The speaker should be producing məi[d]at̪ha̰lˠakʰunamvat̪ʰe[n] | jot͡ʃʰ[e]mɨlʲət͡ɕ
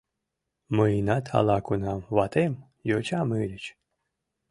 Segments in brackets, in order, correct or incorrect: incorrect, incorrect, incorrect

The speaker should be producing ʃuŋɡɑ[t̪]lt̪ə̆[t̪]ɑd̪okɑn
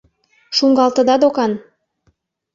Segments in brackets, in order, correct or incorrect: incorrect, incorrect

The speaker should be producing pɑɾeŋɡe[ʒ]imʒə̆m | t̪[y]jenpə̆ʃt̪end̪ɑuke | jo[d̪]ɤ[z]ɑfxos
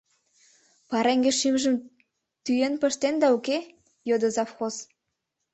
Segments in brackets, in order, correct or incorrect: incorrect, correct, correct, correct

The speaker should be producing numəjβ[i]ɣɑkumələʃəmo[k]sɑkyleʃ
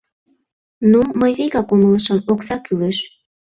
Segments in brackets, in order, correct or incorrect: incorrect, correct

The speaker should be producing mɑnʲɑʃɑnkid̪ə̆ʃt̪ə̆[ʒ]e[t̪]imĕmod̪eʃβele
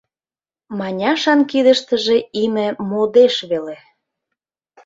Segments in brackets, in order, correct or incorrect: correct, incorrect

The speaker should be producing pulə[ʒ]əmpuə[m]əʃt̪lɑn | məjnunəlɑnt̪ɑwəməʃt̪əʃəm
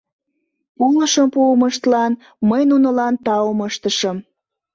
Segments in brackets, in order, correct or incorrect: incorrect, correct

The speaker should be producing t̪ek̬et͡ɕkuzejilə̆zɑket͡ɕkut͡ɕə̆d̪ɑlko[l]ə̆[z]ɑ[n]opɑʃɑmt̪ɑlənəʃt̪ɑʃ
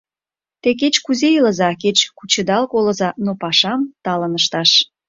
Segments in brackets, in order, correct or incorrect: correct, correct, correct

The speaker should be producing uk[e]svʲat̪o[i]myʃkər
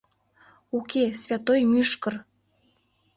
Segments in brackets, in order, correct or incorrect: correct, incorrect

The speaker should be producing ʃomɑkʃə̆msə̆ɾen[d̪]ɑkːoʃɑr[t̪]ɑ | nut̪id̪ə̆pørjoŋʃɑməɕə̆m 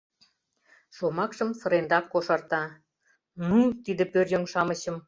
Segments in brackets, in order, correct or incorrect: correct, correct

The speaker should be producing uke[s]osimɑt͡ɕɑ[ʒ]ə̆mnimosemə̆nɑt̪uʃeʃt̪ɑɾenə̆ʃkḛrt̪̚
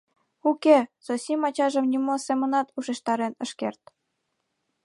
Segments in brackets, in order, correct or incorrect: correct, correct

